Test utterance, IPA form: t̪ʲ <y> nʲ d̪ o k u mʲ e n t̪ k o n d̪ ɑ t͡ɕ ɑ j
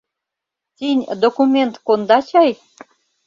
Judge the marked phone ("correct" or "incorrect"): incorrect